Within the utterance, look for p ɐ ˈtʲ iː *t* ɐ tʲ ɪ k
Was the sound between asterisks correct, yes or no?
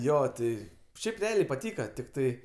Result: no